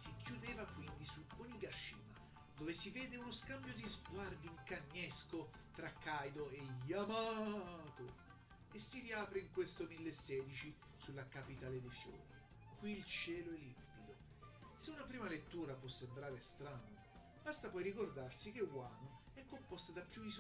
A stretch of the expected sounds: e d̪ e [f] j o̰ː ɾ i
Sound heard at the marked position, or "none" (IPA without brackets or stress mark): f